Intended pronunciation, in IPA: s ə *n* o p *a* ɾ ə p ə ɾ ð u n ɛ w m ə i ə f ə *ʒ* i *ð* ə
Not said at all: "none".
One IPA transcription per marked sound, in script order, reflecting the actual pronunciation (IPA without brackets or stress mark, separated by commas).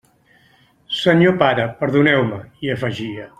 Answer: ɲ, a, ʒ, none